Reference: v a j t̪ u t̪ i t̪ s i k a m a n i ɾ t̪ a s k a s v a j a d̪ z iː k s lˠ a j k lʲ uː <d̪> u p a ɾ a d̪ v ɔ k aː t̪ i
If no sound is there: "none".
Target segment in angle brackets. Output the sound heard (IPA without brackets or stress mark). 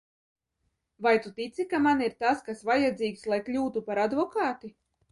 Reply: t̪